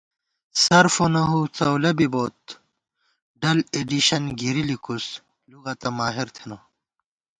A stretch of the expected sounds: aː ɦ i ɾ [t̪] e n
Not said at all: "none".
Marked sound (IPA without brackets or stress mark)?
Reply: t̪ʰ